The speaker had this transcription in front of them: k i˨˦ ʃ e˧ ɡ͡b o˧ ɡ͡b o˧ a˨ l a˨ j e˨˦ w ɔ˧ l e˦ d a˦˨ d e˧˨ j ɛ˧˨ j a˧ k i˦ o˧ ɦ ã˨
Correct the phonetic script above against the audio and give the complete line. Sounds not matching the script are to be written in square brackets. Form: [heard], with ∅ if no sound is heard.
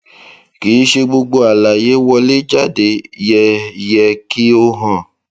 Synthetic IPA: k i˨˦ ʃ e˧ ɡ͡b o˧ ɡ͡b o˧ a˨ l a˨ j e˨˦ w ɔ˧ l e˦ [d͡ʒ] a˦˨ d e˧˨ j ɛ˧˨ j [ɛ˧] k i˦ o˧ ɦ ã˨